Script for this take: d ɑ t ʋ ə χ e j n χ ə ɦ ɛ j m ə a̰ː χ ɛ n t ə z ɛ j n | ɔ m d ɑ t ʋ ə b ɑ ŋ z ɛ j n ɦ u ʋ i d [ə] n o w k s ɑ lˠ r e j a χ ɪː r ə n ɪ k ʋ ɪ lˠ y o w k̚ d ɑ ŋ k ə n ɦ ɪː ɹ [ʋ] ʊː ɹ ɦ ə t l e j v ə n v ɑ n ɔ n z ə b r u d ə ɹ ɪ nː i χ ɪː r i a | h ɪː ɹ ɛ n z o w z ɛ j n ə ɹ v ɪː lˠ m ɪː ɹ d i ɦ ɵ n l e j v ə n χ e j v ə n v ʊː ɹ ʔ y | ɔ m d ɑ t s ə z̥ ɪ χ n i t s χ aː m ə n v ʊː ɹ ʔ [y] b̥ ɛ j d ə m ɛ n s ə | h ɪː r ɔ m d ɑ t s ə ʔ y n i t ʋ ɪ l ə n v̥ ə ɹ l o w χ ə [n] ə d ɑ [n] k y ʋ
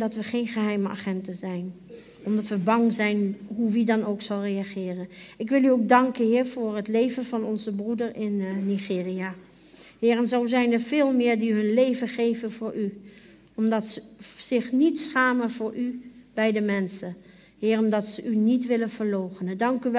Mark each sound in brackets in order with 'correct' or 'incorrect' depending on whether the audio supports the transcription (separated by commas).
incorrect, incorrect, correct, correct, incorrect